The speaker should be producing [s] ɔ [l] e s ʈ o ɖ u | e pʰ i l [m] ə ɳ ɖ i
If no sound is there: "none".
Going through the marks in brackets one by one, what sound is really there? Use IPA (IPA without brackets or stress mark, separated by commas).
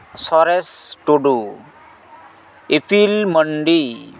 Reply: s, ɾ, m